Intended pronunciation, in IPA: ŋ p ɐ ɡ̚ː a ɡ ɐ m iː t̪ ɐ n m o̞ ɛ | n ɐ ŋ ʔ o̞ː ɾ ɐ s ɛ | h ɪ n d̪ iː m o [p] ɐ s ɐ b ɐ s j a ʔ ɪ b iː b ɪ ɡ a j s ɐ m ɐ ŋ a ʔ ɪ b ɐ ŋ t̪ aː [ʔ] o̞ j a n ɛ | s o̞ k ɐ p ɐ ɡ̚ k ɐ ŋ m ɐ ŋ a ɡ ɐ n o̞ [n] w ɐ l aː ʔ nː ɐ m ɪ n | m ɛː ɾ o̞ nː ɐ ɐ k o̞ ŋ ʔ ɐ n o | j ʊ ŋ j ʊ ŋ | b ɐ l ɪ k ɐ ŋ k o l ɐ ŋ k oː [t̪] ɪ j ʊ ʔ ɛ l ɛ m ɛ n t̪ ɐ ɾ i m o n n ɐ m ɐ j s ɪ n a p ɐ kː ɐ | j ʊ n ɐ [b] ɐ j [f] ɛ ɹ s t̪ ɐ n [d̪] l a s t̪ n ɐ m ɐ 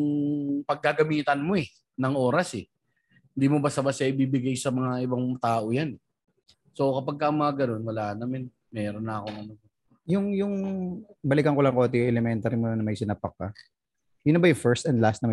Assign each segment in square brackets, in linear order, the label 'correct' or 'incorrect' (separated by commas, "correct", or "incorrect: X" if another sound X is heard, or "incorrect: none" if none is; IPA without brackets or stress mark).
incorrect: b, correct, correct, correct, correct, correct, correct